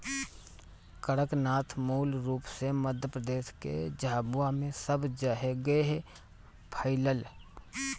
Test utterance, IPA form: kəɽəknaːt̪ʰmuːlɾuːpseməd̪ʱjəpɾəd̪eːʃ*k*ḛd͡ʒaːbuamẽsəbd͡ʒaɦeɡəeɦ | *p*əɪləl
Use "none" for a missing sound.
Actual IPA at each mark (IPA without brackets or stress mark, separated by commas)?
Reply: k, pʰ